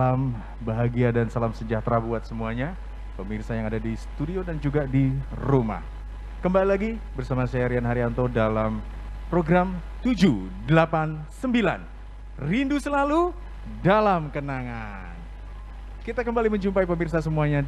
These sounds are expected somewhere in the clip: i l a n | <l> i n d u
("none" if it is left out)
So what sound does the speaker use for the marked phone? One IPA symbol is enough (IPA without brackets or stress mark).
r